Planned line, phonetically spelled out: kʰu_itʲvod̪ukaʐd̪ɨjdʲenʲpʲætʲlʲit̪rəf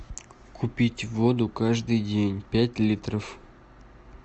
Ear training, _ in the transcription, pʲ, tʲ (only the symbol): pʲ